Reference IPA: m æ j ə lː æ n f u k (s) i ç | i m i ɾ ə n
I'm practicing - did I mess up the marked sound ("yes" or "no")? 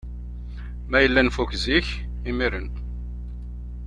yes